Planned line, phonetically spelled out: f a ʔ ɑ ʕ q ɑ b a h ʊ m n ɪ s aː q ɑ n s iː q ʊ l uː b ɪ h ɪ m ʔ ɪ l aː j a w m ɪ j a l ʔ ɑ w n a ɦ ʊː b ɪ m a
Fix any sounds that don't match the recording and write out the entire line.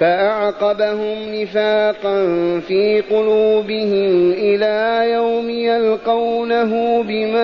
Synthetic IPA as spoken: f a ʔ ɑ ʕ q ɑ b a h ʊ m n ɪ f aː q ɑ n f iː q ʊ l uː b ɪ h ɪ m ʔ ɪ l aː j a w m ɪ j a l q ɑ w n a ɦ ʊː b ɪ m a